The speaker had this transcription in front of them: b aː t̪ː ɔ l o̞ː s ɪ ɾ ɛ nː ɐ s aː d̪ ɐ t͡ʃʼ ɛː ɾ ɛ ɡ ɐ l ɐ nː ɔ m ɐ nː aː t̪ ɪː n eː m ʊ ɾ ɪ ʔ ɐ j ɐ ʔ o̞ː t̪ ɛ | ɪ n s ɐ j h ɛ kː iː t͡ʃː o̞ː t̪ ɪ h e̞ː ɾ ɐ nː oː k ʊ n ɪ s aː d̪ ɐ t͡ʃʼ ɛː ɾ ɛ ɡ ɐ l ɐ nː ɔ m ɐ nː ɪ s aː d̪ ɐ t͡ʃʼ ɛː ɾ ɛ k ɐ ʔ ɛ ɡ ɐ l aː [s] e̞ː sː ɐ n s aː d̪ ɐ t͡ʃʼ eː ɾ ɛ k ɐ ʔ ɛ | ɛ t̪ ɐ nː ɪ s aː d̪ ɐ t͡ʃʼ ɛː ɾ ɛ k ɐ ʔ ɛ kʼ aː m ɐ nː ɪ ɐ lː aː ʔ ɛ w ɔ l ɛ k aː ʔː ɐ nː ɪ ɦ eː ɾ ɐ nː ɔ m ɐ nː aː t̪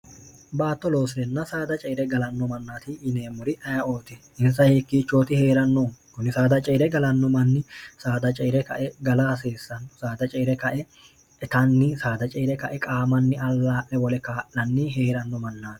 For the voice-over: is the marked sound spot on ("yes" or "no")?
yes